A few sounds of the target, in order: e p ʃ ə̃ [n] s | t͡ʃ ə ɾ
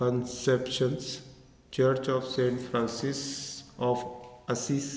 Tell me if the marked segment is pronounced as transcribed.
yes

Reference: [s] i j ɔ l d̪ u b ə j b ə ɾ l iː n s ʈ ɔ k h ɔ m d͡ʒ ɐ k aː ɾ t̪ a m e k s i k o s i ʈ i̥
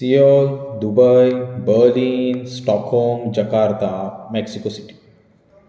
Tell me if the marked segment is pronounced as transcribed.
yes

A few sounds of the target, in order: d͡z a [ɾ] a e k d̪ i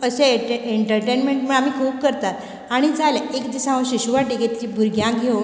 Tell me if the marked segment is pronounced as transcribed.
no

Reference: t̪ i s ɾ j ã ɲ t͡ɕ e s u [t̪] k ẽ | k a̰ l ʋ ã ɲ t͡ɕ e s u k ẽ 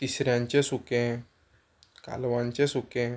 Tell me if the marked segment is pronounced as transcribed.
no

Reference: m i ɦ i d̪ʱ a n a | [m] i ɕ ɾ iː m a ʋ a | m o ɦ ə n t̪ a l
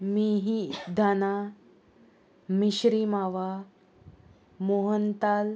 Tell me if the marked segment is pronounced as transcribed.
yes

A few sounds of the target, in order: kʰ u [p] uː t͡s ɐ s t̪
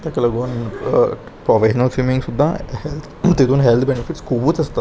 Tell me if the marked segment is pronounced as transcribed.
no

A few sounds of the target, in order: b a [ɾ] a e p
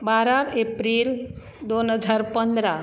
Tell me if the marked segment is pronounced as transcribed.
yes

